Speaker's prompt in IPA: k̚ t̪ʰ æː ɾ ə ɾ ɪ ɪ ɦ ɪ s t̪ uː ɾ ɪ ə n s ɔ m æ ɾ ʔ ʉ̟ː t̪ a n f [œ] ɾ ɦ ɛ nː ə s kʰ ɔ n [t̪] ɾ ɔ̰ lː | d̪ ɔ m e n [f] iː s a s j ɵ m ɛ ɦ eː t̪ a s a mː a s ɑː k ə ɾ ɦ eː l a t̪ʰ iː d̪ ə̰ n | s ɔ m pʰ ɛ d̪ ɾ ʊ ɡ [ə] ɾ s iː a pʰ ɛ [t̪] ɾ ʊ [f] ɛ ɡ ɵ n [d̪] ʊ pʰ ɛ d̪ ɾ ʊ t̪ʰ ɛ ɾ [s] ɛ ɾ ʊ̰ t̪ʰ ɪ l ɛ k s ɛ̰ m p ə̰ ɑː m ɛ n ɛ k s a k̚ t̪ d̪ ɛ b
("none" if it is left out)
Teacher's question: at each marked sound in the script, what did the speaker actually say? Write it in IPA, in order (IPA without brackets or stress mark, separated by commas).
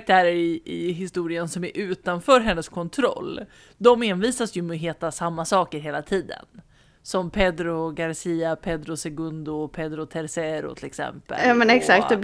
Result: œː, t̪ʰ, v, a, d̪, s, d̪, s